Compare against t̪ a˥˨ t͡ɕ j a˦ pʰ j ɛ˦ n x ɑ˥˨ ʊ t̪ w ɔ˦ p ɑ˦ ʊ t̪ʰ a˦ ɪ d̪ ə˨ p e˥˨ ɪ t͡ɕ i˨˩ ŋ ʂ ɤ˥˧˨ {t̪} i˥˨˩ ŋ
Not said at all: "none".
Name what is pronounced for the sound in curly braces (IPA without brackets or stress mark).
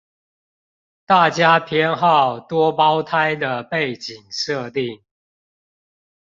t̪